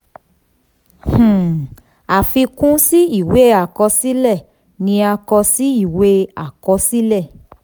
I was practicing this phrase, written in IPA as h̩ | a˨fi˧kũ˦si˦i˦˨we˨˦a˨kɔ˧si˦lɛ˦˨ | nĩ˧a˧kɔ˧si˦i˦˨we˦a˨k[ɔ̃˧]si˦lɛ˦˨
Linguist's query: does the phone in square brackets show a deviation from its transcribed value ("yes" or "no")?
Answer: yes